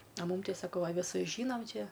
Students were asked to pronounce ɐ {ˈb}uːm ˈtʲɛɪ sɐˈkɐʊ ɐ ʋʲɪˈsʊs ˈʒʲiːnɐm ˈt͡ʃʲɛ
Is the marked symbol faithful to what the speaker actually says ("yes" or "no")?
no